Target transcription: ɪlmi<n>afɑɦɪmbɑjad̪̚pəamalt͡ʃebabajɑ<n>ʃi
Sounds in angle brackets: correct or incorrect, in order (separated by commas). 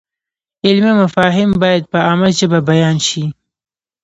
incorrect, correct